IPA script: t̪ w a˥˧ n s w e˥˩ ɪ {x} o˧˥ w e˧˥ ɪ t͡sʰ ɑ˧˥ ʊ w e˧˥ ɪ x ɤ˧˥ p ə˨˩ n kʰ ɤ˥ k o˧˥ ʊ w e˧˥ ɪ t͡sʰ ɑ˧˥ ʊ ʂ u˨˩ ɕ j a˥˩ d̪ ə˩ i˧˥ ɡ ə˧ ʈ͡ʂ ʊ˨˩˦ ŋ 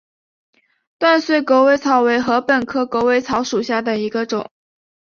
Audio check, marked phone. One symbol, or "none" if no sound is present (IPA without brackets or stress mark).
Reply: k